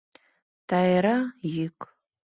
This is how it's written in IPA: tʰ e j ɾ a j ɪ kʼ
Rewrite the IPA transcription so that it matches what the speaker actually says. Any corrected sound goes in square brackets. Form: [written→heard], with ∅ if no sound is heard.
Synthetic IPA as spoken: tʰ [e→a] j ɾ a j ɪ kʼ